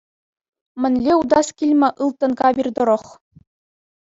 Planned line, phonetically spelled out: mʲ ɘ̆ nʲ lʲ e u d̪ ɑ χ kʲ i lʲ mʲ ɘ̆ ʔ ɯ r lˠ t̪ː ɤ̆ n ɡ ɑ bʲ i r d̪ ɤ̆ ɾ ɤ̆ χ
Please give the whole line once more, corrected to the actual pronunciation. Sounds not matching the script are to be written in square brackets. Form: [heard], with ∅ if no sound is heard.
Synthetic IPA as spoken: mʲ ɘ̆ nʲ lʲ e u d̪ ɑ [s] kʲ i lʲ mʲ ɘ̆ ʔ ɯ [∅] lˠ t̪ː ɤ̆ n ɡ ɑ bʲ i r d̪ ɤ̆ ɾ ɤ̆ χ